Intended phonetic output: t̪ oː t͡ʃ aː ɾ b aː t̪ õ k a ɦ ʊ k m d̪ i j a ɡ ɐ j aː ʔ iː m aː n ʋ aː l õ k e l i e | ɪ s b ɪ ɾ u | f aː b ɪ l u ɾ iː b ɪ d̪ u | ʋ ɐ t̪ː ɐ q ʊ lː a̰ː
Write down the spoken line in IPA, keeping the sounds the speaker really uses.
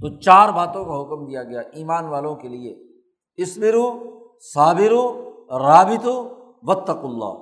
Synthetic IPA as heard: t̪ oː t͡ʃ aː ɾ b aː t̪ õ k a ɦ ʊ k m d̪ i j a ɡ ɐ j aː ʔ iː m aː n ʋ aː l õ k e l i e | ɪ s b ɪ ɾ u | s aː b ɪ ɾ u ɾ aː b ɪ t̪ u | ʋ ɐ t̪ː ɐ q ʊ lː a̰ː